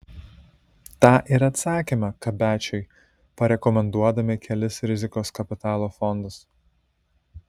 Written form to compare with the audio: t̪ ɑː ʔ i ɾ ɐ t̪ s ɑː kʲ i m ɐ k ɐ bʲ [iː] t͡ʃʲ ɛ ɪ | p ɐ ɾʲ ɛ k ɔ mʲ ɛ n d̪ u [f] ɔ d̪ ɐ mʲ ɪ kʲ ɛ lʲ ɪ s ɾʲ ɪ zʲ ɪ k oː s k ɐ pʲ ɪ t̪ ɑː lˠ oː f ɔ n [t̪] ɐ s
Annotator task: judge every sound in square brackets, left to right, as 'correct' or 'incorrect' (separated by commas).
incorrect, incorrect, incorrect